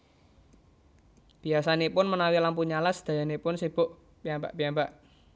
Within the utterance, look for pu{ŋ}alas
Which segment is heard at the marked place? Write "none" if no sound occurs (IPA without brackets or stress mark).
ɲ